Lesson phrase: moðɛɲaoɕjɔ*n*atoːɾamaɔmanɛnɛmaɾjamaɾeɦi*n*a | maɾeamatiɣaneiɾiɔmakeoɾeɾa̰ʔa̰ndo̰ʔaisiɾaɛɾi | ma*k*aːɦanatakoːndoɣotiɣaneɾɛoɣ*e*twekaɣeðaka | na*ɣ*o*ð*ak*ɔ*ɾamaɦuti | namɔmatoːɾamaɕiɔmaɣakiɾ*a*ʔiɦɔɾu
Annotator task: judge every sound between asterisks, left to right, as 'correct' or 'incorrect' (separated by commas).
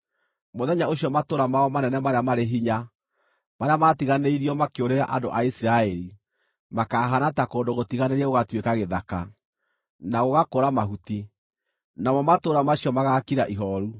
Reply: incorrect, incorrect, correct, incorrect, correct, incorrect, incorrect, correct